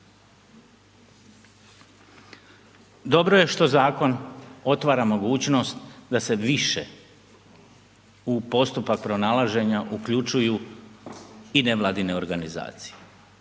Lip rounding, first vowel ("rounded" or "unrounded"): rounded